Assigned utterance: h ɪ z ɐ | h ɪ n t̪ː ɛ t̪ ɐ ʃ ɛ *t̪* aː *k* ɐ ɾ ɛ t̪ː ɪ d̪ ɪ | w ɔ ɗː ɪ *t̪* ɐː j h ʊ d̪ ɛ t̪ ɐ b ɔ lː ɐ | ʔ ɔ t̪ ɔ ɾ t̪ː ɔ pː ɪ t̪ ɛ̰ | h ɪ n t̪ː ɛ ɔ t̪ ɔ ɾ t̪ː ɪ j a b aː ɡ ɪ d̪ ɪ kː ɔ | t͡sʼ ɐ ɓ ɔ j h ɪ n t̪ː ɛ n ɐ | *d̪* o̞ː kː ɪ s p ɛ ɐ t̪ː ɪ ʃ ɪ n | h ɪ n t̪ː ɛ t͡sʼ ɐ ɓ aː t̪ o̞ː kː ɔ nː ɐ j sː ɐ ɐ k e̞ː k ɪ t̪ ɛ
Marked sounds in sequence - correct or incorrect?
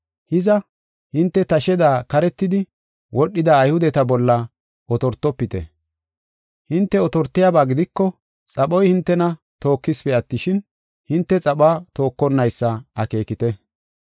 incorrect: d̪, correct, incorrect: d̪, incorrect: t̪

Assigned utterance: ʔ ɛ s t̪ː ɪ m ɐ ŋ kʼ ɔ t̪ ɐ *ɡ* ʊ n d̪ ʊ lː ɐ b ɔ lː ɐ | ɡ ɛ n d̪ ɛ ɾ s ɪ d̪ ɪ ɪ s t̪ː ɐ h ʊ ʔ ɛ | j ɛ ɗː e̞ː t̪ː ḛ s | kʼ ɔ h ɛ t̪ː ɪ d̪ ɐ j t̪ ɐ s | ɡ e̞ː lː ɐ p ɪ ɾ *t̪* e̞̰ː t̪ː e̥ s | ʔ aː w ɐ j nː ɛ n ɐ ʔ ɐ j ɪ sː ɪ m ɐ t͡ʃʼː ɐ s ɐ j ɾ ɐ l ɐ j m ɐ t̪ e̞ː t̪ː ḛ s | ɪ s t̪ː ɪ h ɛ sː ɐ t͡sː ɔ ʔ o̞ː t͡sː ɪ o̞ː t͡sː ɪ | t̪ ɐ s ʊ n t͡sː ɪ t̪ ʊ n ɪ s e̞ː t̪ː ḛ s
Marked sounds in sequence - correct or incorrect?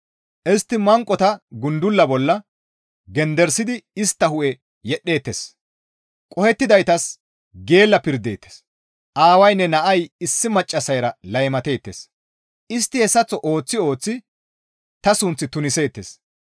correct, incorrect: d̪

